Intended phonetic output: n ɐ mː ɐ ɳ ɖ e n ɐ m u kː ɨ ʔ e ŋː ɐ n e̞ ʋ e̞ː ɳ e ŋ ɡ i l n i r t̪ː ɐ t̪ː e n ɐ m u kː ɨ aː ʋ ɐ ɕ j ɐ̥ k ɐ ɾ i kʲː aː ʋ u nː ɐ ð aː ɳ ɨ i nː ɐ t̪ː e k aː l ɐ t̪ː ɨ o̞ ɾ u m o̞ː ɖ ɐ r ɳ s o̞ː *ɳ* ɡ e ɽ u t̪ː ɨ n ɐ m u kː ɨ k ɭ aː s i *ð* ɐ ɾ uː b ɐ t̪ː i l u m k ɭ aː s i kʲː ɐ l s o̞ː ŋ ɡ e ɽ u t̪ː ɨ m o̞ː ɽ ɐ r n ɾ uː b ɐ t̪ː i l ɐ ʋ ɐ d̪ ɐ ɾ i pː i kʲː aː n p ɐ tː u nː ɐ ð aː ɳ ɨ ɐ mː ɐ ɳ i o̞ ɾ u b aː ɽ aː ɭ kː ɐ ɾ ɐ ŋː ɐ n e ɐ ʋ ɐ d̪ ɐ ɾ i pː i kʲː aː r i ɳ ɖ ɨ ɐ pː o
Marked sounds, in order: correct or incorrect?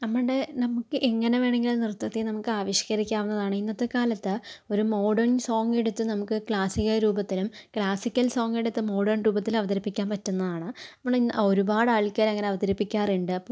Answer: incorrect, incorrect

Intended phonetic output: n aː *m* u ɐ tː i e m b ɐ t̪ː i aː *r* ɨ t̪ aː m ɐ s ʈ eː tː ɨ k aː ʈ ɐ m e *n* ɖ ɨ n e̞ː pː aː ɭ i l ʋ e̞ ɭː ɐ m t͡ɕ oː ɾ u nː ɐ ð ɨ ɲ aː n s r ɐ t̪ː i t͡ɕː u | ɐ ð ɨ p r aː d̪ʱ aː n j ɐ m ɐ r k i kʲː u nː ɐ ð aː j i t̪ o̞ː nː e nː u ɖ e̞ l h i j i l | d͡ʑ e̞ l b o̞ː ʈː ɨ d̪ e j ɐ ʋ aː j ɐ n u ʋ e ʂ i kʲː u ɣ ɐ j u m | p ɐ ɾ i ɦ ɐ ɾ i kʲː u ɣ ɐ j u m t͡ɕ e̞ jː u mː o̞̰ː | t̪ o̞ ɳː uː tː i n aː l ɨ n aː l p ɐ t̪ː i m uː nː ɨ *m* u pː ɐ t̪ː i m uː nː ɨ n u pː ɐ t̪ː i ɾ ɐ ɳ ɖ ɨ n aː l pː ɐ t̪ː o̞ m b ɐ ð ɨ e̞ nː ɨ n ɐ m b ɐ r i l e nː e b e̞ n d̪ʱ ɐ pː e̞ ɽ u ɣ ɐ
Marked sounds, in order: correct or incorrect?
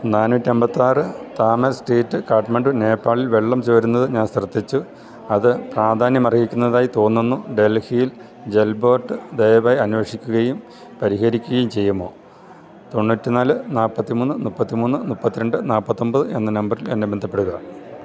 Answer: incorrect, correct, incorrect, incorrect

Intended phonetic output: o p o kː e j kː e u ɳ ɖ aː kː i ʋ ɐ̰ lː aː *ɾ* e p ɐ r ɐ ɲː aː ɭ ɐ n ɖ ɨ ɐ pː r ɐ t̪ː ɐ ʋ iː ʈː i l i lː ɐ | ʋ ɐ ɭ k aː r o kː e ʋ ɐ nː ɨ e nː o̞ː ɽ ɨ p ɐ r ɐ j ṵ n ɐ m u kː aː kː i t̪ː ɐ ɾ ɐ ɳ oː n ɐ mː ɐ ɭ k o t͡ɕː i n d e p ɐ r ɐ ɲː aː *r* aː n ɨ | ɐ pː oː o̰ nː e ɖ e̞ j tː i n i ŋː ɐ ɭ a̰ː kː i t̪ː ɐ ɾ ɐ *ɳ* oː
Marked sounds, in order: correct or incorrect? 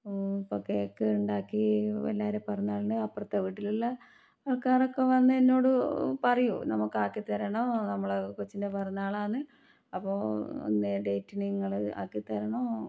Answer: correct, incorrect, correct

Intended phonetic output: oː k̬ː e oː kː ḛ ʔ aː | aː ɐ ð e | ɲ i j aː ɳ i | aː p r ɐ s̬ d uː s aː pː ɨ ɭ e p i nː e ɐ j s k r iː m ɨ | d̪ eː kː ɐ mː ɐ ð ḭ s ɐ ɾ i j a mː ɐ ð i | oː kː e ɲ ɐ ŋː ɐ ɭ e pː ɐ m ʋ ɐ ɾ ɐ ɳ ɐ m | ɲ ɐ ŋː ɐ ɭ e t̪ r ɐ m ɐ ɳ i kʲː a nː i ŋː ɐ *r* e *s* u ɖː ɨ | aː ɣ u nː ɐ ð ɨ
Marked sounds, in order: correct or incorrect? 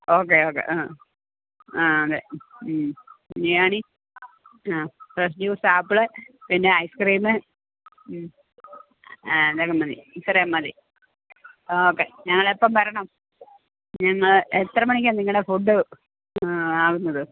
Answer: incorrect, incorrect

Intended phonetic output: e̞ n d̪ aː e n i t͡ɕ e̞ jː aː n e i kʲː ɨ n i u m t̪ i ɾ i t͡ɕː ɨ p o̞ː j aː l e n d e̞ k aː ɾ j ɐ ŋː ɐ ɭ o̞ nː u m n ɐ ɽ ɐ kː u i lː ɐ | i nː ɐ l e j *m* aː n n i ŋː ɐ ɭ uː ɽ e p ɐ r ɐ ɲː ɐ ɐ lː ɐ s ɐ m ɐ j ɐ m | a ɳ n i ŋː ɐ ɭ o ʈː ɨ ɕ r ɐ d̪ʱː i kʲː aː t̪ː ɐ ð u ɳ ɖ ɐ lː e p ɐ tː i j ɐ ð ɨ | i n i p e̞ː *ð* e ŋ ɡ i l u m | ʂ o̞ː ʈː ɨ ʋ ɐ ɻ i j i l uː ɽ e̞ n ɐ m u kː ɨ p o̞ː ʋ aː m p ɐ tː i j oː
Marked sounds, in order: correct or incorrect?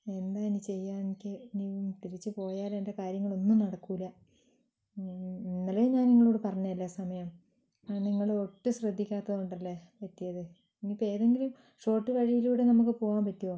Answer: incorrect, correct

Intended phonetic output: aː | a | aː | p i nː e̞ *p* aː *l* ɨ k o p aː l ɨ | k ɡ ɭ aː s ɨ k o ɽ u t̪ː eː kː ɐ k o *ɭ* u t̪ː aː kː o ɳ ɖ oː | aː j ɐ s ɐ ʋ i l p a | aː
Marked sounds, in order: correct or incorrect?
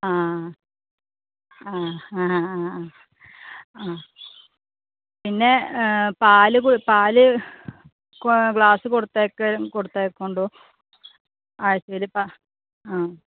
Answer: correct, correct, incorrect

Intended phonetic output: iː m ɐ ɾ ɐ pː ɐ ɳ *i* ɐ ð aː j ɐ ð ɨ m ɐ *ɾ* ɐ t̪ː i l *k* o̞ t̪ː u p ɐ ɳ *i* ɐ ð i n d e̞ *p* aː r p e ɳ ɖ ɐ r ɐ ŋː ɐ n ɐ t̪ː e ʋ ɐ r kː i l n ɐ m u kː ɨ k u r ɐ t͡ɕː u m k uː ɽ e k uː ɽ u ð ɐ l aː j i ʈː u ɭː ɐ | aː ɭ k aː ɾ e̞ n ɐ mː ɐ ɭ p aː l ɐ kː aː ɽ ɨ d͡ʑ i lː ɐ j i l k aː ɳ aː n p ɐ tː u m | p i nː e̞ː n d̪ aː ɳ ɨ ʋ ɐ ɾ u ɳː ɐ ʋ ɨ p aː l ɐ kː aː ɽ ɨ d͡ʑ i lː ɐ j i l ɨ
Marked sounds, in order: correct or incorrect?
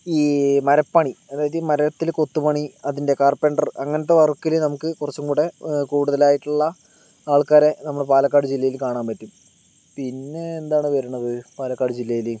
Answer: correct, correct, correct, correct, incorrect

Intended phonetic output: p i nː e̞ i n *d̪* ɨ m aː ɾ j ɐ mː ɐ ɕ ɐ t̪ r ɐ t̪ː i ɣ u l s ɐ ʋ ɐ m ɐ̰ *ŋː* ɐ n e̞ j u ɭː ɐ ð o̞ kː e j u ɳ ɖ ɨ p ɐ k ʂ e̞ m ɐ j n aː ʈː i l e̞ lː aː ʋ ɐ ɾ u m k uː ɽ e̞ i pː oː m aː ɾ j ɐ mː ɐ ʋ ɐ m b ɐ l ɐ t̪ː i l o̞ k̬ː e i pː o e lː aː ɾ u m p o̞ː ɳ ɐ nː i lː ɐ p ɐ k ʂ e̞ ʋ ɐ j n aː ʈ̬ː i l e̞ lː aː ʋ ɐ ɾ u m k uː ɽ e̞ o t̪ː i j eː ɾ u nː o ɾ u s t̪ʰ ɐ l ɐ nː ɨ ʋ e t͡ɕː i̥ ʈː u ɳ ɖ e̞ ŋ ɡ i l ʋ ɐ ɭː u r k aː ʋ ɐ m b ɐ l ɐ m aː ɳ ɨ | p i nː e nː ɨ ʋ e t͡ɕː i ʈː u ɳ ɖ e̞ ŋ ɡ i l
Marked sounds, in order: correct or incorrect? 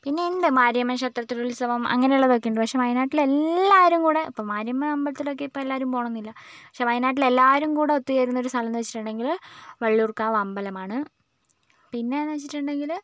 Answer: correct, correct

